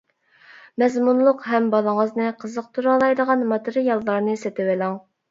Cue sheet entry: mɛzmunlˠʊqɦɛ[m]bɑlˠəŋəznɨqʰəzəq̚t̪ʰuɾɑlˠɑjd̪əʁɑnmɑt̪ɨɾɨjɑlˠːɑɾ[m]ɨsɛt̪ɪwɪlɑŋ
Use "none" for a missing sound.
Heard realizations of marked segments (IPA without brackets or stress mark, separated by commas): m, n